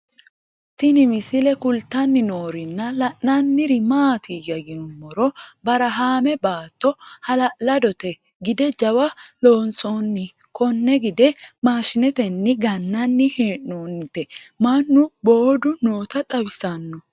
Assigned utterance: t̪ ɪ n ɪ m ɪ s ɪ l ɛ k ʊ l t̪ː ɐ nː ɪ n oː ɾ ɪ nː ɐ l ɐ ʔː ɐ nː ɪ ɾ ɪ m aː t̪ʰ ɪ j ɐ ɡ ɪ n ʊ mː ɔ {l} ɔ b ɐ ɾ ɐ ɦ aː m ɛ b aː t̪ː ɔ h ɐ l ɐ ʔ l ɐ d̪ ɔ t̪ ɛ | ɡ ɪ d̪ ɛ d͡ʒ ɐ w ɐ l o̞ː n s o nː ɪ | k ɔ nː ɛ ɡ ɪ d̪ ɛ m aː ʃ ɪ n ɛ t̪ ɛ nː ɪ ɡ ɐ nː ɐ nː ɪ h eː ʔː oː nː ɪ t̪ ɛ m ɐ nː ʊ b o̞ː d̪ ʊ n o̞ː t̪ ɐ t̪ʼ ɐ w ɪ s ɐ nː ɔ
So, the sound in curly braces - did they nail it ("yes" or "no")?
no